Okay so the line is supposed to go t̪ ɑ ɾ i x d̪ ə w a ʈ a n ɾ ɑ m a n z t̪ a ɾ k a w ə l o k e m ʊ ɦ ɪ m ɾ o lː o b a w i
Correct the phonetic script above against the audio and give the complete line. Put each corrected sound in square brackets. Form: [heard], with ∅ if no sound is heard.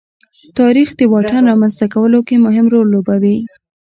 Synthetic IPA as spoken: t̪ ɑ ɾ i x d̪ ə w [ɑ] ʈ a n ɾ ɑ m a n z t̪ a [∅] k a w ə l o k e m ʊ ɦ ɪ m ɾ o lː o b a w i